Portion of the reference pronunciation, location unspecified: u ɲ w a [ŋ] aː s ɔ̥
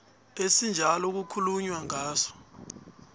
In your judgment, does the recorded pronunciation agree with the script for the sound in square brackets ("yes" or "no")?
yes